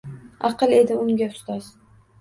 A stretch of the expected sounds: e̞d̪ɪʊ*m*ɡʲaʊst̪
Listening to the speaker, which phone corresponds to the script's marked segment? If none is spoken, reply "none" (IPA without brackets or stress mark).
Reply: ŋ